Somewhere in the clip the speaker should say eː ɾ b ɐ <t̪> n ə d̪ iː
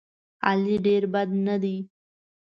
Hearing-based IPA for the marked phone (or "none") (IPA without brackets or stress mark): d̪